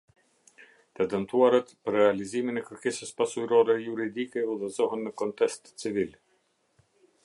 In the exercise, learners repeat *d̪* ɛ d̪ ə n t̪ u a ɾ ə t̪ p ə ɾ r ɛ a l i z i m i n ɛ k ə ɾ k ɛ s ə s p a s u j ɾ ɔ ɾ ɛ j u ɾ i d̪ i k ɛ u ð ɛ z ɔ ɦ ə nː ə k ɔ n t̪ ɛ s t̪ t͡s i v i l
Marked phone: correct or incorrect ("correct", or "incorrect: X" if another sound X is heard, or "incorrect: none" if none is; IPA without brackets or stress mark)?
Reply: incorrect: t̪